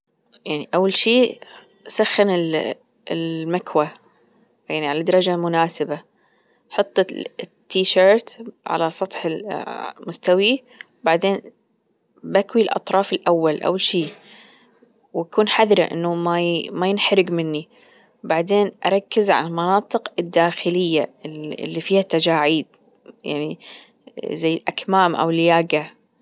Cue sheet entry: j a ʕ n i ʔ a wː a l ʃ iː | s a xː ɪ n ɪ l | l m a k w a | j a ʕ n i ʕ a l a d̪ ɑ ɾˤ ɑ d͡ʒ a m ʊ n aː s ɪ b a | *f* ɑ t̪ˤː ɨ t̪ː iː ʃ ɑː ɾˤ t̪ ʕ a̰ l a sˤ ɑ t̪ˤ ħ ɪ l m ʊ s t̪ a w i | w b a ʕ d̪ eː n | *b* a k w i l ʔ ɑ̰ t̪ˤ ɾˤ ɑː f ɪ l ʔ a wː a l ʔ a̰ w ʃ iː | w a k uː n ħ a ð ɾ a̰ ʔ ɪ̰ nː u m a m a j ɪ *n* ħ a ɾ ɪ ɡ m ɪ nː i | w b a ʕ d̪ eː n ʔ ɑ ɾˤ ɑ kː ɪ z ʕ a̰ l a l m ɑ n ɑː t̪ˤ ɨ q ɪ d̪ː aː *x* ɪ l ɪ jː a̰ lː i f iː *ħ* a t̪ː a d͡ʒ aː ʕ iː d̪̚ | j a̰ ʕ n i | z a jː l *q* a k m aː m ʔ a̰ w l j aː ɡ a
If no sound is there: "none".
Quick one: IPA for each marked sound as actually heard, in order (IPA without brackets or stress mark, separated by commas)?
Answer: ħ, b, n, x, h, ʔ